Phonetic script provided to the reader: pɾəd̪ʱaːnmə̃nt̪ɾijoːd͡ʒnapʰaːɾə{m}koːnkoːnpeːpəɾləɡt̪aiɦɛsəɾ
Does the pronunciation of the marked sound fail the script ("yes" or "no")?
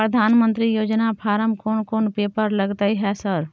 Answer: no